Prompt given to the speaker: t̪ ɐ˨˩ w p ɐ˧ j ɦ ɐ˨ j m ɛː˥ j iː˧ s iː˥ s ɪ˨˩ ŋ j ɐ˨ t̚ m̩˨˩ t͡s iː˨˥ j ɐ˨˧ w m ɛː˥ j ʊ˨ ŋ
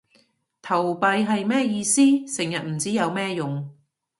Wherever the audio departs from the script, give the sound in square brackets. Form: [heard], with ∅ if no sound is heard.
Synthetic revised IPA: [t̪ʰ] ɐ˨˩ w p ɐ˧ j ɦ ɐ˨ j m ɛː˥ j iː˧ s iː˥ s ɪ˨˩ ŋ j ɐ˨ t̚ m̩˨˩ t͡s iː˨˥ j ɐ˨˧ w m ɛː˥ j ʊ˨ ŋ